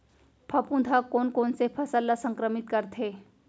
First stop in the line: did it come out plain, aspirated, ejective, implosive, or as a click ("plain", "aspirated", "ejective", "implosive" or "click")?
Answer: aspirated